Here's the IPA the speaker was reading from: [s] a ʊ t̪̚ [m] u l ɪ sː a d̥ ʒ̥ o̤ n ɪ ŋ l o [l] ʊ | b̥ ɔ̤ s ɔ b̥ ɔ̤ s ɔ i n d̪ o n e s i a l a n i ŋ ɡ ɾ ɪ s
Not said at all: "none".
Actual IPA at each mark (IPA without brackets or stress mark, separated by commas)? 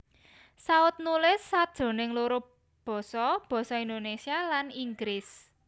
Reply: s, n, ɾ